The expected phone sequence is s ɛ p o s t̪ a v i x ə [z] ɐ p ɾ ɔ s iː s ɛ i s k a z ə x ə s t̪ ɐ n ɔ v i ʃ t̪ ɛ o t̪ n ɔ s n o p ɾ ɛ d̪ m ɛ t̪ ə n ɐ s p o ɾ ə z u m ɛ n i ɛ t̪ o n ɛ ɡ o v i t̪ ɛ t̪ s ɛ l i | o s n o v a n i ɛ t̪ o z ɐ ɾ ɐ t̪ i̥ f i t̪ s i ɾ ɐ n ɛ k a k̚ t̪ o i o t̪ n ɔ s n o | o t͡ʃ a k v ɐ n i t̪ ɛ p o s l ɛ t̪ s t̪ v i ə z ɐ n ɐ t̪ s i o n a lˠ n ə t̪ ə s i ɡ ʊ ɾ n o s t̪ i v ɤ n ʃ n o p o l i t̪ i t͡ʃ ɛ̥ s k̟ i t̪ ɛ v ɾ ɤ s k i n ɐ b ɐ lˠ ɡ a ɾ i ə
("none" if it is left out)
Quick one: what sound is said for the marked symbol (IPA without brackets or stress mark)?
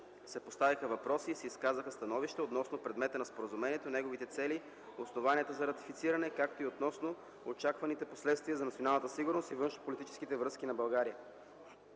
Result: v